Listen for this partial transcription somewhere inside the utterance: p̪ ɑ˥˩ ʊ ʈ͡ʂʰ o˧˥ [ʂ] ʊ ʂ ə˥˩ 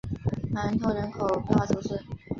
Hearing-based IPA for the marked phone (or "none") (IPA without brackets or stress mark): none